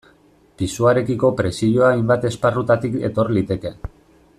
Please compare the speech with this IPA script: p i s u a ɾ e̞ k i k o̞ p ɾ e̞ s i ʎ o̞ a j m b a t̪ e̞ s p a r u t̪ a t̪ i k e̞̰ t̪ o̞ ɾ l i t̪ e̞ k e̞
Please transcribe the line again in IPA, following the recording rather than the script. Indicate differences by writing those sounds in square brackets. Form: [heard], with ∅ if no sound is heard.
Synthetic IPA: p i s u a ɾ e̞ k i k o̞ p ɾ e̞ s i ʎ o̞ a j m b a t̪ e̞ s p a r u t̪ a t̪ i k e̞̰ t̪ o̞ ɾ l i t̪ e̞ k e̞